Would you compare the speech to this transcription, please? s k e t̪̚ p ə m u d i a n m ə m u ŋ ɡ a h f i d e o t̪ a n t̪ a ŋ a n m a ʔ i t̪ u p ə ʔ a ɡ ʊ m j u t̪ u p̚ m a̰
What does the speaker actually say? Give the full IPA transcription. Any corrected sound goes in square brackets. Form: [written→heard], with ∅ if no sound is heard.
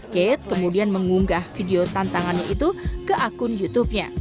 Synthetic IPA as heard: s k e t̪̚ [p→k] ə m u d i a n m ə [m→ŋ] u ŋ ɡ a h f i d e o t̪ a n t̪ a ŋ a n [m→ɲ] a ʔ i t̪ u [p→k] ə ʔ a [ɡ→k] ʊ [m→n] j u t̪ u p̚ [m→ɲ] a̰

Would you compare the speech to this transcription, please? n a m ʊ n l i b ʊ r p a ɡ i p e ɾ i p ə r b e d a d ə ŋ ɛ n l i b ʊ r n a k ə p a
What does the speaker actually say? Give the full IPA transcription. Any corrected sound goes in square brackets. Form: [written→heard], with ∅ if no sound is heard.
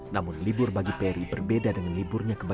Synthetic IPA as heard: n a m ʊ n l i b ʊ r [p→b] a ɡ i p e ɾ i [p→b] ə r b e d a d ə ŋ [ɛ→a] n l i b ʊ r [n→ɲ] a k ə [p→b] a

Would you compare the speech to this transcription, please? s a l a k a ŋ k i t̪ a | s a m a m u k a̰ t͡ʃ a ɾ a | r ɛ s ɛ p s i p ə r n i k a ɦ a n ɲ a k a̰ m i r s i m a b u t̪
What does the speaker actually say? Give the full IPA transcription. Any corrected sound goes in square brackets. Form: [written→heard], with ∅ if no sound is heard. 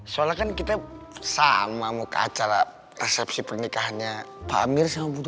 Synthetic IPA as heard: s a l a k a [ŋ→n] k i t̪ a | s a m a m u k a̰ t͡ʃ a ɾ a | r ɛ s ɛ p s i p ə r n i k a ɦ a n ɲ a [k→p] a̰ m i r s [i→a] m a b u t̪

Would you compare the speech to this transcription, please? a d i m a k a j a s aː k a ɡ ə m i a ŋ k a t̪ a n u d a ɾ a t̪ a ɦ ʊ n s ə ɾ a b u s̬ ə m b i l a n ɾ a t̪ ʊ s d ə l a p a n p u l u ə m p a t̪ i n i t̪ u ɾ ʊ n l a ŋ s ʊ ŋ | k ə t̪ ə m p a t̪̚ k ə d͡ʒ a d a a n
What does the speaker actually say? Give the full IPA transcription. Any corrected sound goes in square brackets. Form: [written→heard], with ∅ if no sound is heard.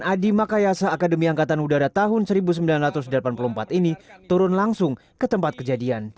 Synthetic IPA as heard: a d i m a k a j a s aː k a [ɡ→d] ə m i a ŋ k a t̪ a n u d a ɾ a t̪ a ɦ ʊ n s ə ɾ [a→i] b u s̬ ə m b i l a n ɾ a t̪ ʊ s d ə l a p a n p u l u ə m p a t̪ i n i t̪ u ɾ ʊ n l a ŋ s ʊ ŋ | k ə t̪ ə m p a t̪̚ k ə d͡ʒ a d [a→i] a n

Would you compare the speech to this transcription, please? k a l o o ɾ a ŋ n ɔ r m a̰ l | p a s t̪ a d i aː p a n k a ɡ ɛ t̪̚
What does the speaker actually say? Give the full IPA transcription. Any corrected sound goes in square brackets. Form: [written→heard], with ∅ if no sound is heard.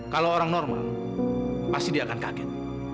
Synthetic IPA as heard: k a l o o ɾ a ŋ n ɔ r m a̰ l | p a s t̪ [a→i] d i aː [p→k] a n k a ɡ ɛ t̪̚

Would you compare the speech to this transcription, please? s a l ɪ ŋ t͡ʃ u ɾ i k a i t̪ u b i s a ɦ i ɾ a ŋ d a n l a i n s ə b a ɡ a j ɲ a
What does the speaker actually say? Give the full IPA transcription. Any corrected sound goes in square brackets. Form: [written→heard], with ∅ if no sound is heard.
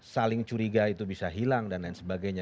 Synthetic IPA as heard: s a l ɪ ŋ t͡ʃ u ɾ i [k→ɡ] a i t̪ u b i s a ɦ i [ɾ→l] a ŋ d a n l a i n s ə b a ɡ a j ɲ a

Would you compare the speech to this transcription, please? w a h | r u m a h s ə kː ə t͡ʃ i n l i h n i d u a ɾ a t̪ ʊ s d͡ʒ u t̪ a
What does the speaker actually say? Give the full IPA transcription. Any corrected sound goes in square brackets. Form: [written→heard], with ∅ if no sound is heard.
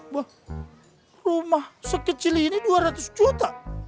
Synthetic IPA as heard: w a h | r u m a h s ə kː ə t͡ʃ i [n→∅] l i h n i d u a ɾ a t̪ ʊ s d͡ʒ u t̪ a

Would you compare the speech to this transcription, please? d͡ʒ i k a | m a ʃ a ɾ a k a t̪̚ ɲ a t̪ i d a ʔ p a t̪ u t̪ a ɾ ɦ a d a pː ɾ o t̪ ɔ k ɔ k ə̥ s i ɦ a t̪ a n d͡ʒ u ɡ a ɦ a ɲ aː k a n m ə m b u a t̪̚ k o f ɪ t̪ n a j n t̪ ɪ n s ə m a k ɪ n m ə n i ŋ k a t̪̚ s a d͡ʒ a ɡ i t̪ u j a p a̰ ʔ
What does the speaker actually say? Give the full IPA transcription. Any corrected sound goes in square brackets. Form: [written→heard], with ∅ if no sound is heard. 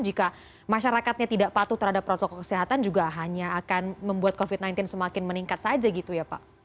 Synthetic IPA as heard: d͡ʒ i k a | m a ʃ a ɾ a k a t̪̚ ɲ a t̪ i d a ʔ p a t̪ u t̪ [a→ə] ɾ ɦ a d a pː ɾ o t̪ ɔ k ɔ k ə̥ s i ɦ a t̪ a n d͡ʒ u ɡ a ɦ a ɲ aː k a n m ə m b u a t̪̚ k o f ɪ t̪ n a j n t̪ ɪ n s ə m a k ɪ n m ə n i ŋ k a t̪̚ s a d͡ʒ a ɡ i t̪ u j a p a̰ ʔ

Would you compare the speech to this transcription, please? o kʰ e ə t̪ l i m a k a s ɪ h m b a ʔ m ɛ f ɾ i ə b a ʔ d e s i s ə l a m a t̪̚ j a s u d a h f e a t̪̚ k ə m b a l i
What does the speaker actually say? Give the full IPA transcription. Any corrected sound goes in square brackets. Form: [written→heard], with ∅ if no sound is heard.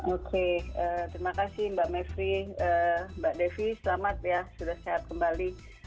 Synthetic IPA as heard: o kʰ e ə t̪ [l→ɾ] i m a k a s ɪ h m b a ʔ m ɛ f ɾ i ə b a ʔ d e [s→f] i s ə l a m a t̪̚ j a s u d a h [f→s] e a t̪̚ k ə m b a l i

